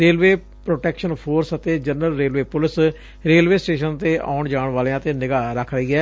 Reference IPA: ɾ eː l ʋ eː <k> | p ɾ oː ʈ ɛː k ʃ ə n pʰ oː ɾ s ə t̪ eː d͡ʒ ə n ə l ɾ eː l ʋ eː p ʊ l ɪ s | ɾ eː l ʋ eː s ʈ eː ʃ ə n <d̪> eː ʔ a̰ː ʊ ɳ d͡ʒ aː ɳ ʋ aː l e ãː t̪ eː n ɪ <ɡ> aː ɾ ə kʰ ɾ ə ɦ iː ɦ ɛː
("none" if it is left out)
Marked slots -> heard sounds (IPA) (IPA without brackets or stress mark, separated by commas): none, t̪, ɡ